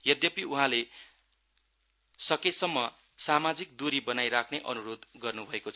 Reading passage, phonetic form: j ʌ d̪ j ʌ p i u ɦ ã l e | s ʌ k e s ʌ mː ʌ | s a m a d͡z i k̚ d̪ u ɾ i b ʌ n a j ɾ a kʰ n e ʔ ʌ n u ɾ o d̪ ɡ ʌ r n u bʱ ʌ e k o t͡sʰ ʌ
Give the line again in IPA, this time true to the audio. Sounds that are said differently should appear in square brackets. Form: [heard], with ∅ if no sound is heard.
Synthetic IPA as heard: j ʌ d̪ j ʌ p i u ɦ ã l e | s ʌ k e s ʌ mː ʌ | s a m a d͡z i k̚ d̪ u ɾ i b ʌ n a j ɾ a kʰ n e ʔ ʌ n u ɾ o d̪ ɡ ʌ r n u bʱ ʌ e k o t͡sʰ ʌ